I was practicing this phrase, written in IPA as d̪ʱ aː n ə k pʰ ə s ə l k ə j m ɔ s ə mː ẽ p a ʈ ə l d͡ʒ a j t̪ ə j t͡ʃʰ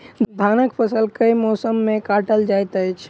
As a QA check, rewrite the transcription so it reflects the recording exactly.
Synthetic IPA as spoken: d̪ʱ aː n ə k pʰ ə s ə l k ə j m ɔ s ə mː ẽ k a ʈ ə l d͡ʒ a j t̪ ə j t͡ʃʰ